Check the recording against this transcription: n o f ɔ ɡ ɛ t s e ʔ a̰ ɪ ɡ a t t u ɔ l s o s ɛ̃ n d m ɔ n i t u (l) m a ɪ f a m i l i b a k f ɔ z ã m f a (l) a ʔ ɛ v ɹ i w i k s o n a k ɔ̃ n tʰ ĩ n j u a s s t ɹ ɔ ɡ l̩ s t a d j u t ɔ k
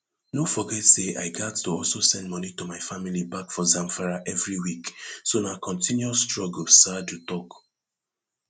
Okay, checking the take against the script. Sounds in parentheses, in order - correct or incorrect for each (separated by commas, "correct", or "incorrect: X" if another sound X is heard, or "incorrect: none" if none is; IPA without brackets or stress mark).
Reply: incorrect: none, incorrect: ɹ